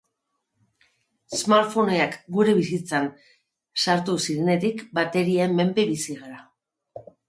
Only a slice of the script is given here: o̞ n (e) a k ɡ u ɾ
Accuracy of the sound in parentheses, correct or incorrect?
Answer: correct